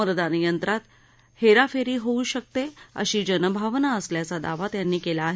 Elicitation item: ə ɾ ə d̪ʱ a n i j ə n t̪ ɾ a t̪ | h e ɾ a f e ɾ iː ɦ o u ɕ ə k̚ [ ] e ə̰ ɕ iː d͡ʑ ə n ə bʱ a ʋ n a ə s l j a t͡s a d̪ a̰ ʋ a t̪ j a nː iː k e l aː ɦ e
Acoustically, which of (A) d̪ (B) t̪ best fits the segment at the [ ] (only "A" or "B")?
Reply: B